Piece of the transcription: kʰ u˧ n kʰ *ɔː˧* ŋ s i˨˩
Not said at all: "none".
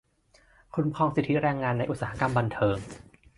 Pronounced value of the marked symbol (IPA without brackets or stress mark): ɔː˧